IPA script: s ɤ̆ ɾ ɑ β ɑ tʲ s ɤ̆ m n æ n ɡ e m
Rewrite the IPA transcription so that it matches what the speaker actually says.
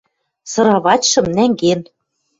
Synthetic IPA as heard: s ɤ̆ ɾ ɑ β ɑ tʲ ʃ ɤ̆ m n æ ŋ ɡ e n